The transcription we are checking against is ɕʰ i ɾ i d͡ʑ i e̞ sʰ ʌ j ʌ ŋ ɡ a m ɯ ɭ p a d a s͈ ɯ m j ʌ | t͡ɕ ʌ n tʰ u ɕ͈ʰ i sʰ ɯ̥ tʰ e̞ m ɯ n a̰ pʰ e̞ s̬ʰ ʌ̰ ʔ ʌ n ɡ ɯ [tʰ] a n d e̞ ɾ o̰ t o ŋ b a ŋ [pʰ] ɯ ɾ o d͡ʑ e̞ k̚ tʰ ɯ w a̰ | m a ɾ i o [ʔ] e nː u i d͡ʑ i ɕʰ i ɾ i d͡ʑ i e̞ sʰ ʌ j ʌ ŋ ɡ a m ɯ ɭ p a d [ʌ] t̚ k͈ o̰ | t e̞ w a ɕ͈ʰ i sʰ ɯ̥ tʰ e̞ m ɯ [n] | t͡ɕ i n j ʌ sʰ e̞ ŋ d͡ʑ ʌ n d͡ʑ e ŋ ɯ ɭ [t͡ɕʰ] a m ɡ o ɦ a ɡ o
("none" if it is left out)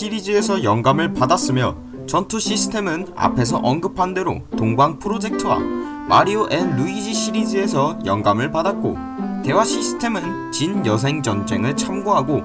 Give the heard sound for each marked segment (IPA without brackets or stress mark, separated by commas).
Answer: pʰ, pʰ, ʔ, a, n, t͡ɕʰ